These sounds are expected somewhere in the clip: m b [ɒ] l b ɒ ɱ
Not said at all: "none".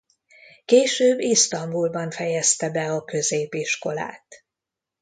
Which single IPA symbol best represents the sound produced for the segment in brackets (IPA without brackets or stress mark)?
u